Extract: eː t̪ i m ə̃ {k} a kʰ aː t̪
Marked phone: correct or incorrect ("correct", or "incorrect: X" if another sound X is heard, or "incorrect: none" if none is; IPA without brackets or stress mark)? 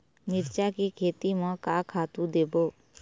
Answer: correct